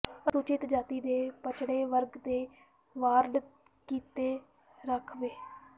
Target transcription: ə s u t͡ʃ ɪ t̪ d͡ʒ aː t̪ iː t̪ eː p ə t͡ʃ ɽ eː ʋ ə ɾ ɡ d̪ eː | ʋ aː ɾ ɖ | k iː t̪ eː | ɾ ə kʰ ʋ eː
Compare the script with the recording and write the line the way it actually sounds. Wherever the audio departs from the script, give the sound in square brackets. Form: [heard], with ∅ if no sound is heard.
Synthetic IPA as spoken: ə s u t͡ʃ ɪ t̪ d͡ʒ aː t̪ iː [d̪] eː p ə t͡ʃ ɽ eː ʋ ə ɾ ɡ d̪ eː | ʋ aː ɾ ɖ | k iː t̪ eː | ɾ ə kʰ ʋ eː